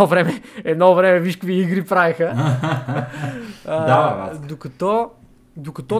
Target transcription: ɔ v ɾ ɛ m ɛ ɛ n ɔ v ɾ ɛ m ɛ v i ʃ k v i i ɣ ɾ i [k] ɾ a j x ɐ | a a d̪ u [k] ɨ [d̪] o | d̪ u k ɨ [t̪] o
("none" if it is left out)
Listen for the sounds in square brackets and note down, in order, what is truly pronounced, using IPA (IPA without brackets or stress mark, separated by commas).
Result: p, k, t̪, t̪